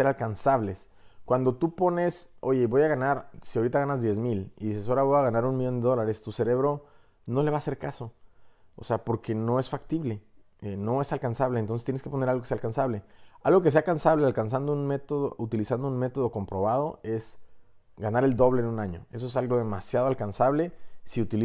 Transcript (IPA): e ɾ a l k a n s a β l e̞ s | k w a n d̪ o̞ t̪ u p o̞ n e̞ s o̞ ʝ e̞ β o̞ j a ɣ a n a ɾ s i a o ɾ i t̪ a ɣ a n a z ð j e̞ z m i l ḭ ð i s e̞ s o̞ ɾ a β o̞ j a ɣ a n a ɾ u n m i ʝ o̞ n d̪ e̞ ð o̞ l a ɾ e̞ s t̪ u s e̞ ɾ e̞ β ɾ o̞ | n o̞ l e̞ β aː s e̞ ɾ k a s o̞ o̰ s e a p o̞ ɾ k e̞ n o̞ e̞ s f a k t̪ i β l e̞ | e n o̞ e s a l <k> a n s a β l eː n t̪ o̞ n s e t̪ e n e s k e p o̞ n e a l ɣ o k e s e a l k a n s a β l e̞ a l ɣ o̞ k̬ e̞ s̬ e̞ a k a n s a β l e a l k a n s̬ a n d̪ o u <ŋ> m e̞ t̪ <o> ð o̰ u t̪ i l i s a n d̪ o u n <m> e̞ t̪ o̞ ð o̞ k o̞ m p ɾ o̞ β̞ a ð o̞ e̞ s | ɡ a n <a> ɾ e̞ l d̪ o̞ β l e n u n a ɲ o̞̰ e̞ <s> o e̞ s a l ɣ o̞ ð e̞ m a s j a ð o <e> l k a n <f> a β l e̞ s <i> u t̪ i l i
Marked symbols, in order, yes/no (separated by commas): yes, no, yes, yes, yes, yes, no, no, yes